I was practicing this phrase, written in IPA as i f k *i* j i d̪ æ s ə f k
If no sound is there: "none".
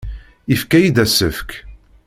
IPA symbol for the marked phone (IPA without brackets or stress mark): æ